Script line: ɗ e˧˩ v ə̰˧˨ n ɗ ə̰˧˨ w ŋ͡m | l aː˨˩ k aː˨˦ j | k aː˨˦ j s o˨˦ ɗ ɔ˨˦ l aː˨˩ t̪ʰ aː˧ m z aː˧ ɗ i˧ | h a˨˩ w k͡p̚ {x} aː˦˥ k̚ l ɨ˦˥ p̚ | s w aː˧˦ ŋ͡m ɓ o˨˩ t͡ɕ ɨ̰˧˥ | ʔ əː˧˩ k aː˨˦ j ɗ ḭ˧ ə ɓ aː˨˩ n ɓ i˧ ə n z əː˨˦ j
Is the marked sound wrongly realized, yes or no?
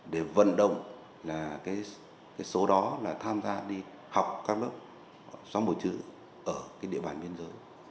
yes